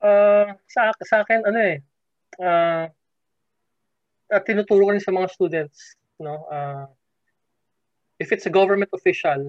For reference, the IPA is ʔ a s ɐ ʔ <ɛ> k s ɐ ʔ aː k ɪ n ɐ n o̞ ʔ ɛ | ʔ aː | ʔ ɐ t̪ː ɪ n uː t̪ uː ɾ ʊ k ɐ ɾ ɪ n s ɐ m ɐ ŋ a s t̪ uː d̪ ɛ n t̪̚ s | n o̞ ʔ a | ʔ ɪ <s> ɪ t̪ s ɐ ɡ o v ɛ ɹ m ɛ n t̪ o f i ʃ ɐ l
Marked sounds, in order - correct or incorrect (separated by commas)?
incorrect, incorrect